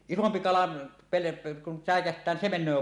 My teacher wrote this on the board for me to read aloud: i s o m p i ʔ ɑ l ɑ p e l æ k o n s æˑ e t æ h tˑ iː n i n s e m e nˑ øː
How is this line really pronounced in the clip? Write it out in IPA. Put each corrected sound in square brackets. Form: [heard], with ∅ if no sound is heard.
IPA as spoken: i s o m p i [k] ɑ l ɑ p e l [e] k [u] n s æˑ e [k] æ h tˑ [æː] n i n s e m e nˑ øː